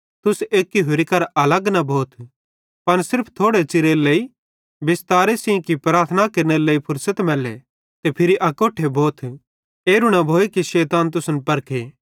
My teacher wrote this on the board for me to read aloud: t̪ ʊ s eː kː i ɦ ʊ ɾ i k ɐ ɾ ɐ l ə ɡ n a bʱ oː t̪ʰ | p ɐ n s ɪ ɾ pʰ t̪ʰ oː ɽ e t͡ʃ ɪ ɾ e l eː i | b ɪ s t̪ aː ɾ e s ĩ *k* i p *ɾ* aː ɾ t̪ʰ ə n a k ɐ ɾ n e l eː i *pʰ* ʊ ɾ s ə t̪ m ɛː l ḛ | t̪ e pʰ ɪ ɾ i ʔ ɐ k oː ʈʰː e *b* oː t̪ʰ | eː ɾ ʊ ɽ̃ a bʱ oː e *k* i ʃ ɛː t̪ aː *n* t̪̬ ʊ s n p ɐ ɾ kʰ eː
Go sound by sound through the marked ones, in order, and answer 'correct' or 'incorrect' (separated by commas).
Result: correct, correct, correct, correct, correct, correct